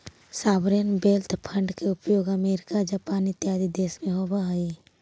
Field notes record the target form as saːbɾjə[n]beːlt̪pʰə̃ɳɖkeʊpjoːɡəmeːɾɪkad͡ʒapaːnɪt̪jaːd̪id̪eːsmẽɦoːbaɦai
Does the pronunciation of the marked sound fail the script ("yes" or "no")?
no